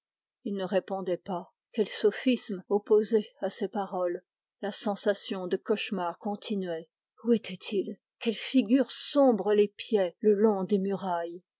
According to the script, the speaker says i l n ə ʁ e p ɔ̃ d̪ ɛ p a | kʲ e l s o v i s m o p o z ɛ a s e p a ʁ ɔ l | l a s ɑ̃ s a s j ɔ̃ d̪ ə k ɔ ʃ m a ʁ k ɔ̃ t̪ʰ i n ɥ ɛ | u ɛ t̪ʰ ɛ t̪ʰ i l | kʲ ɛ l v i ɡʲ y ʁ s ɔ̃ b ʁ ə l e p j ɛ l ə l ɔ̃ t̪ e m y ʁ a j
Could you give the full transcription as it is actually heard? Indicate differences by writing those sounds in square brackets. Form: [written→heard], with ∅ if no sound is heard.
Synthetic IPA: i l n ə ʁ e p ɔ̃ d̪ ɛ p a | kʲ [e→ɛ] l s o [v→f] i s m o p o z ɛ a s e p a ʁ ɔ l | l a s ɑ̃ s a s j ɔ̃ d̪ ə k ɔ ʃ m a ʁ k ɔ̃ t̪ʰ i n ɥ ɛ | u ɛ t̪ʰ ɛ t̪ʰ i l | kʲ ɛ l [v→f] i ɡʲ y ʁ s ɔ̃ b ʁ ə l e p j ɛ l ə l ɔ̃ [t̪→d̪] e m y ʁ a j